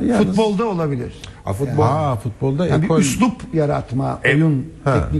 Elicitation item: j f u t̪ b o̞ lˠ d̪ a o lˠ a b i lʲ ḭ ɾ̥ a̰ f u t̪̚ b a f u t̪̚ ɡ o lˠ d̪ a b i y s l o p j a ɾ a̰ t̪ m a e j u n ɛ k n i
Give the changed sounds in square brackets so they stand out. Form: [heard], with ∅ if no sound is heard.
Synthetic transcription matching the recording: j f u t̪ b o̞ lˠ d̪ a o lˠ a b i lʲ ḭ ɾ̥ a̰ f u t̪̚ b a f u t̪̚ [b] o lˠ d̪ a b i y s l [u] p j a ɾ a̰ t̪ m a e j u n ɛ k n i